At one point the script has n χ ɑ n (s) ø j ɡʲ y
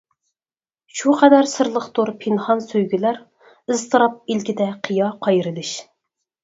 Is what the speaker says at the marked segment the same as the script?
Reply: yes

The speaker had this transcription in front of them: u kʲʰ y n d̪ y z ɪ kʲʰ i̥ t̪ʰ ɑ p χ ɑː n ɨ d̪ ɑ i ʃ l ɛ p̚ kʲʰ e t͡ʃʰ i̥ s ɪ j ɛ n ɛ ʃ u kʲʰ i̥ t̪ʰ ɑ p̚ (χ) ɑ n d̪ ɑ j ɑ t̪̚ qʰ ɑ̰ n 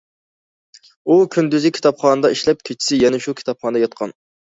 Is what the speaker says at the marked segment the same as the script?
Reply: yes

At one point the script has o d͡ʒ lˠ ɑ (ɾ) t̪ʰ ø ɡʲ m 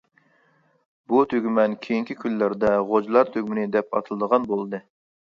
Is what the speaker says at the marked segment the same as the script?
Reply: yes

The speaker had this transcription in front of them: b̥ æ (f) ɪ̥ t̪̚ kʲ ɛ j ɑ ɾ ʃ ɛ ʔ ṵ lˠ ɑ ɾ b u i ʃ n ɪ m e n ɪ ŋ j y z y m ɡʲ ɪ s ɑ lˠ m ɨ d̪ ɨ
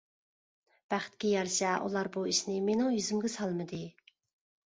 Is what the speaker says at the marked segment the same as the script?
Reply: no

